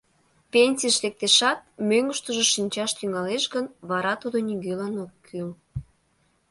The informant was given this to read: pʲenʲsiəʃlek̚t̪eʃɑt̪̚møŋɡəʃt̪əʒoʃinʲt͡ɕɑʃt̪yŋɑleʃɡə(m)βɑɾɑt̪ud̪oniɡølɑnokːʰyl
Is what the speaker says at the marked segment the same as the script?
no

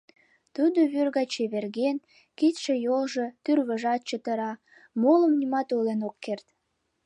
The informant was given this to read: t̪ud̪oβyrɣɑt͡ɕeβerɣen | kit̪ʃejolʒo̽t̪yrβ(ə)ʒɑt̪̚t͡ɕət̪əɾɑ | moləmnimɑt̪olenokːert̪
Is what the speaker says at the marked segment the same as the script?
yes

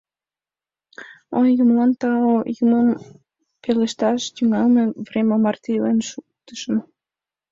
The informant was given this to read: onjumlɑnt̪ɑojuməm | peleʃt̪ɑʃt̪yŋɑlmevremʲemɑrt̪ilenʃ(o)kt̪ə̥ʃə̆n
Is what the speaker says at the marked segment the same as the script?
no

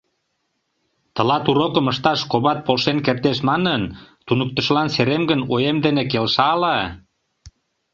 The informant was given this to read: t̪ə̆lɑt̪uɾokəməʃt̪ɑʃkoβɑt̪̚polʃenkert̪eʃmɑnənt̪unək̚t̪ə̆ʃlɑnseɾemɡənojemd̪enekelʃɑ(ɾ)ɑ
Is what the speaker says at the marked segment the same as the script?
no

